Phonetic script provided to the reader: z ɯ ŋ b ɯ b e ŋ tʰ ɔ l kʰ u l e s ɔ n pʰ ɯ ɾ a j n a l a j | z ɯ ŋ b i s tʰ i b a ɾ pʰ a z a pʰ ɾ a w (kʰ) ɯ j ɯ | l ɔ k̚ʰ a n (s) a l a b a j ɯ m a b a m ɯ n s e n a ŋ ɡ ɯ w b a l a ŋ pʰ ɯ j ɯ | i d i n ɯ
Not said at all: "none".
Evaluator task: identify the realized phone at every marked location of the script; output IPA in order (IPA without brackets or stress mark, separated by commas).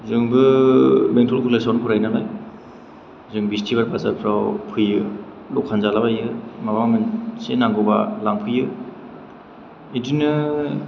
pʰ, z